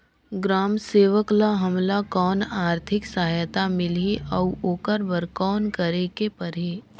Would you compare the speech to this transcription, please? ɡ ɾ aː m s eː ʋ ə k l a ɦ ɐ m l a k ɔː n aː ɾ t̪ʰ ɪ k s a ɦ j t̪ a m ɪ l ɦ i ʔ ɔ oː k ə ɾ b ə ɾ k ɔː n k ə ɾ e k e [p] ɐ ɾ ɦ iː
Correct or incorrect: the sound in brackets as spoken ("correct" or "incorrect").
correct